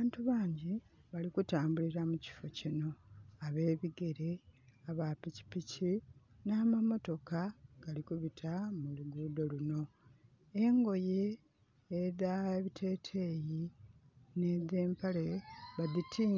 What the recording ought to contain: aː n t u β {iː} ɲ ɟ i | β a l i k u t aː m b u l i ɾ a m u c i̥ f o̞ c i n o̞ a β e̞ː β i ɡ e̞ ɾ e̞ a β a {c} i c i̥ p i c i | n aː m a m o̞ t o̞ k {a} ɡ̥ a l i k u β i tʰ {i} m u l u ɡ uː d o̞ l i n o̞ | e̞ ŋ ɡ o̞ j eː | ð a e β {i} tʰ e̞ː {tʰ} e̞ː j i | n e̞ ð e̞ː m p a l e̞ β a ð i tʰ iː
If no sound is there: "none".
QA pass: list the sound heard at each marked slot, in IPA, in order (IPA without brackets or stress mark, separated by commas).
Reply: aː, p, a, a, i, tʰ